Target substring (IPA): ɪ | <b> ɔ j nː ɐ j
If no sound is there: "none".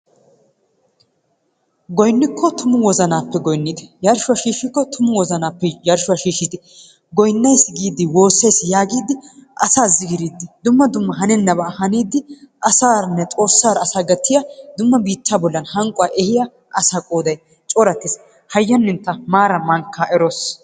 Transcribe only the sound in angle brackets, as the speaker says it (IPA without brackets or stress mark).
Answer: ɡ